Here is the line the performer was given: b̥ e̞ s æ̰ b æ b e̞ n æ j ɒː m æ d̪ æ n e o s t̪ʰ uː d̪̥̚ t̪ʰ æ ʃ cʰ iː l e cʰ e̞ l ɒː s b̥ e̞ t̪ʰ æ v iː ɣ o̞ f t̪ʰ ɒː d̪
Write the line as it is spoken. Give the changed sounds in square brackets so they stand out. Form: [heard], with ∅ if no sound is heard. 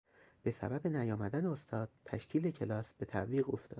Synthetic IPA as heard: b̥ e̞ s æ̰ b æ b e̞ n æ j ɒː m æ d̪ æ n e o s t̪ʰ [ɒː] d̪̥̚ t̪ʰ æ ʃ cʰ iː l e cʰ e̞ l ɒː s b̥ e̞ t̪ʰ æ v iː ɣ o̞ f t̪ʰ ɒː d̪